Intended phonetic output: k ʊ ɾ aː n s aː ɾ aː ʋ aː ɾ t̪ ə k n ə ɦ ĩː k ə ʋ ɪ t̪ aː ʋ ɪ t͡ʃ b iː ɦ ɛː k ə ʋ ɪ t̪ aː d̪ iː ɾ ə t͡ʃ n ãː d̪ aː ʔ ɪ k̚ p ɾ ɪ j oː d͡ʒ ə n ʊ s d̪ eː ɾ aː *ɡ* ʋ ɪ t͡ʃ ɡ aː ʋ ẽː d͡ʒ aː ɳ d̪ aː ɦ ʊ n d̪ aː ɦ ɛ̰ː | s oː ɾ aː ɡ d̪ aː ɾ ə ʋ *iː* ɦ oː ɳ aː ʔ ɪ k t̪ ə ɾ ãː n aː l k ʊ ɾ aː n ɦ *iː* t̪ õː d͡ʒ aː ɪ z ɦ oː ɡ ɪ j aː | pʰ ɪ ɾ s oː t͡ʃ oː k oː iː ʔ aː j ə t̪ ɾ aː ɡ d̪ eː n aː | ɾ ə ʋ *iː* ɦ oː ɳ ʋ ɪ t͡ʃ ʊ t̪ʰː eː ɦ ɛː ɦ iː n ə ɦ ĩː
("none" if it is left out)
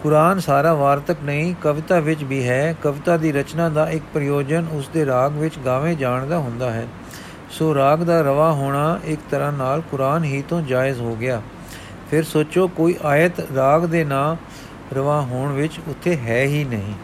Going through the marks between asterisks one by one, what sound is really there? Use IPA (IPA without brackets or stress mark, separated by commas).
ɡ, aː, iː, aː